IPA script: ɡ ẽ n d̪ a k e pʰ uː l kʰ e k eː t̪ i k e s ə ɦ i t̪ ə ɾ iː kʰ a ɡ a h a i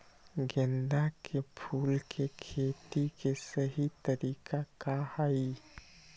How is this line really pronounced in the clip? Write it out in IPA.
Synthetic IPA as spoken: ɡ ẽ n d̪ a k e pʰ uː l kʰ e kʰ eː t̪ i k e s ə ɦ i t̪ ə ɾ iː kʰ a k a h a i